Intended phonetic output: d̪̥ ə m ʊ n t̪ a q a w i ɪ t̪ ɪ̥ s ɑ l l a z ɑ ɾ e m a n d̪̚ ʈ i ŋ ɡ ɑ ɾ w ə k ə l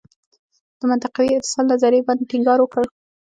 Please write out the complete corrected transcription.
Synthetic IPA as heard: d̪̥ ə m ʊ n t̪ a q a w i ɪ t̪ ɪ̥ s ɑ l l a z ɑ ɾ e b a n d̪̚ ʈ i ŋ ɡ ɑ ɾ w ə k ə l